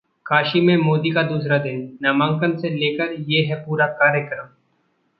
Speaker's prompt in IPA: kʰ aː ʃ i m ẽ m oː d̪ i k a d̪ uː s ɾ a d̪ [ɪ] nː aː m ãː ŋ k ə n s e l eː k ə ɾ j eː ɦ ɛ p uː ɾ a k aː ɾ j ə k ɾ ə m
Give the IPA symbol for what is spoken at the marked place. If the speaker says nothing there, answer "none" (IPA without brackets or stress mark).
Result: ɪ